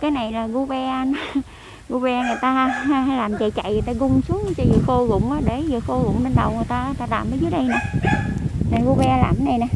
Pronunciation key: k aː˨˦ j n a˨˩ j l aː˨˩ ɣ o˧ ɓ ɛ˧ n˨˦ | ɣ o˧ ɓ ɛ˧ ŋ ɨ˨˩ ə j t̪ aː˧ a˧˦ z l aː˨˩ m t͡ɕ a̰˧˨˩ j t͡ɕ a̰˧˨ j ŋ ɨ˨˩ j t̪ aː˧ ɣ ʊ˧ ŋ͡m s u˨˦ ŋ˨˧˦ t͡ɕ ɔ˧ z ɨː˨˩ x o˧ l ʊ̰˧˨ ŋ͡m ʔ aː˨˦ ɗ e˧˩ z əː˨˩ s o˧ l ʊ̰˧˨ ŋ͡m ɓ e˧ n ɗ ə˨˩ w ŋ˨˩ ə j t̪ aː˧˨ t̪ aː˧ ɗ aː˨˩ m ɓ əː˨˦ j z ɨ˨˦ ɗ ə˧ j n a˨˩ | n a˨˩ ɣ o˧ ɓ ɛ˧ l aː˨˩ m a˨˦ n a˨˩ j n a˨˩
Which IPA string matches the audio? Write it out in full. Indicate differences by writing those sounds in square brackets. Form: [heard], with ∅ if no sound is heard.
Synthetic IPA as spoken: k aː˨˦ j n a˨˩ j l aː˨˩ ɣ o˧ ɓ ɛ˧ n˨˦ | ɣ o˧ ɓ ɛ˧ ŋ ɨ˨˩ ə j t̪ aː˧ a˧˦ [∅] l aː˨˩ m t͡ɕ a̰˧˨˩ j t͡ɕ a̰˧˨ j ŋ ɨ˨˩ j t̪ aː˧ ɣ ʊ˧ ŋ͡m s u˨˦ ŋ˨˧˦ t͡ɕ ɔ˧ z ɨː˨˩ x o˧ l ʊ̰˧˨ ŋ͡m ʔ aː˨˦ ɗ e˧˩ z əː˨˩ [x] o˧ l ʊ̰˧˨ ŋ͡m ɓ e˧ n ɗ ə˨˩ w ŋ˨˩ ə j t̪ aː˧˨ t̪ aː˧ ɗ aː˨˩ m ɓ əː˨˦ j z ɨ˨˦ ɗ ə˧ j n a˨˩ | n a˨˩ ɣ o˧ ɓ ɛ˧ l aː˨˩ m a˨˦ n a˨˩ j n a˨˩